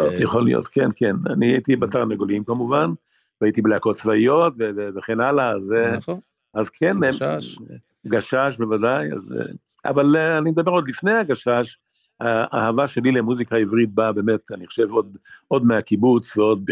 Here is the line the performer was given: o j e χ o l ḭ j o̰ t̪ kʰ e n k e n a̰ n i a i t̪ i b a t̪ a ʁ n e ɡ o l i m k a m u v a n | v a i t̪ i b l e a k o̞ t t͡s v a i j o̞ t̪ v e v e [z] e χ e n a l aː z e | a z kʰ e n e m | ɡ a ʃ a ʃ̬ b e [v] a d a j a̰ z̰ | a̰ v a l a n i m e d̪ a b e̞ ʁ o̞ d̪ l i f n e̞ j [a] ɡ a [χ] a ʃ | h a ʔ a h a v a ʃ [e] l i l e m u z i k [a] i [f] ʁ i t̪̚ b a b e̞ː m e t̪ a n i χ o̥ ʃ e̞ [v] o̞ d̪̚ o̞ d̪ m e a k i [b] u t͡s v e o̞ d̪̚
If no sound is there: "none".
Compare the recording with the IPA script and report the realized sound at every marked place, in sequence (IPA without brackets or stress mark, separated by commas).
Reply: v, v, a, ʃ, e, a, v, v, b